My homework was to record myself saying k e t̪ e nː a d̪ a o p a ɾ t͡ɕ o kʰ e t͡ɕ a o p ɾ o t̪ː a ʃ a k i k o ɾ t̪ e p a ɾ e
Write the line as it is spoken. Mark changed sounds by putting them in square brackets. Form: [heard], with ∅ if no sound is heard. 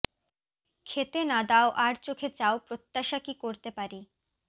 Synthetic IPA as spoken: [kʰ] e t̪ e [n] a d̪ a o [ʔ] a ɾ t͡ɕ o kʰ e t͡ɕ a o p ɾ o t̪ː a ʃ a k i k o ɾ t̪ e p a ɾ [i]